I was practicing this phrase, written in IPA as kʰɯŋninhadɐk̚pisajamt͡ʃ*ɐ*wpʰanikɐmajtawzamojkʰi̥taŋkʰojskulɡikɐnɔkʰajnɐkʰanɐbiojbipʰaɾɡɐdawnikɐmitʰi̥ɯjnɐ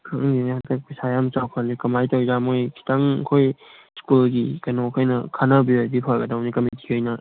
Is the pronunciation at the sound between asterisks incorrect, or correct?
incorrect